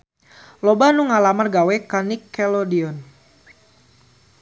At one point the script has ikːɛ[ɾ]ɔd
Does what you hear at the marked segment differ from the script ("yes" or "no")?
yes